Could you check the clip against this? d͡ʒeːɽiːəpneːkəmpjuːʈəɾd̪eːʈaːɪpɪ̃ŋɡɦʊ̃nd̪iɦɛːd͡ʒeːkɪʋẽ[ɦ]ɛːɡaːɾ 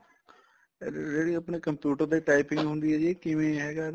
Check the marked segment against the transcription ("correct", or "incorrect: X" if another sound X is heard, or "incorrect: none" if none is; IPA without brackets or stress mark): correct